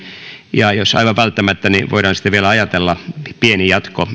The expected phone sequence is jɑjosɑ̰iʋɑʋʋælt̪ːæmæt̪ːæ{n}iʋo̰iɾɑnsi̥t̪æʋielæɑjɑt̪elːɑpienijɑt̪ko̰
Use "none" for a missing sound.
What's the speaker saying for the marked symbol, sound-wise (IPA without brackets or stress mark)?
n